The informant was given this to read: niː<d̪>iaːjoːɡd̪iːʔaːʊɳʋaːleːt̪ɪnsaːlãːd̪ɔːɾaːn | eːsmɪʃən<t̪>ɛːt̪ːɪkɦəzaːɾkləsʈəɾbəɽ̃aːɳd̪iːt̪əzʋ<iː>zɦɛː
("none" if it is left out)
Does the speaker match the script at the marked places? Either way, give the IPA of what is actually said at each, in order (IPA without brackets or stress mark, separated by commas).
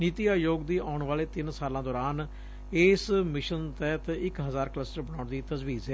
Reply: t̪, t̪, iː